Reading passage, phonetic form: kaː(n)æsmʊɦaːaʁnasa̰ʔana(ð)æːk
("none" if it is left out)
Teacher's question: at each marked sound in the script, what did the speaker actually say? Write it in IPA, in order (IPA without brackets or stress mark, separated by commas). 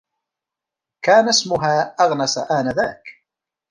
n, ð